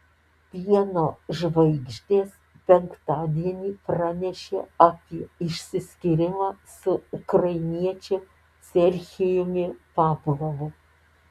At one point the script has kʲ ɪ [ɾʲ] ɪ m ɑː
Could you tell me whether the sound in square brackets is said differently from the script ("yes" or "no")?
no